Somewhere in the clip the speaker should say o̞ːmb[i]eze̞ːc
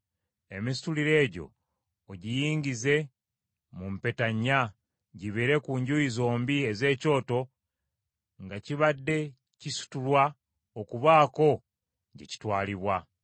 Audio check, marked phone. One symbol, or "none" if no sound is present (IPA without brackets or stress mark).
i